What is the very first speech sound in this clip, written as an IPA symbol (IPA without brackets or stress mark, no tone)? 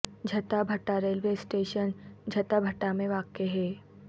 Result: d͡ʒʱ